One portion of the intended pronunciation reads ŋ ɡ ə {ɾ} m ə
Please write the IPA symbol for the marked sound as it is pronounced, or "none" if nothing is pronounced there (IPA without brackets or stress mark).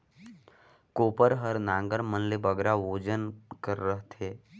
ɾ